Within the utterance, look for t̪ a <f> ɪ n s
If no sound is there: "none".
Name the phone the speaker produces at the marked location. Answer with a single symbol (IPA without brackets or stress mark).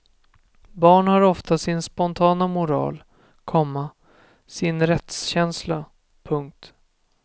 s